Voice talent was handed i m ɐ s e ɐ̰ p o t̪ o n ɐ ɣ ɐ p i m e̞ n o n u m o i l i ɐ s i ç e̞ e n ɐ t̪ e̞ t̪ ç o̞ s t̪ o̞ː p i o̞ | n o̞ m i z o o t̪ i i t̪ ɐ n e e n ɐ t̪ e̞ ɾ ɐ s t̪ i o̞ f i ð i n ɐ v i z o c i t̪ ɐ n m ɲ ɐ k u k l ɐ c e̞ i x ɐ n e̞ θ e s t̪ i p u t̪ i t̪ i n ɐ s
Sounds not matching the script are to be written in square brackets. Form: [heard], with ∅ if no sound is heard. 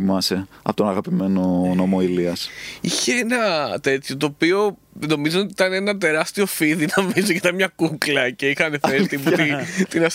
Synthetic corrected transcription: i m ɐ s e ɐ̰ p o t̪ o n ɐ ɣ ɐ p i m e̞ n o n [o] m o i l i ɐ s i ç e̞ e n ɐ t̪ e̞ t̪ ç o̞ [∅] t̪ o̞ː p i o̞ | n o̞ m i z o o t̪ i i t̪ ɐ n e e n ɐ t̪ e̞ ɾ ɐ s t̪ i o̞ f i ð i n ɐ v i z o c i t̪ ɐ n m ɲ ɐ k u k l ɐ c e̞ i x ɐ n e̞ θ e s t̪ i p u t̪ i t̪ i n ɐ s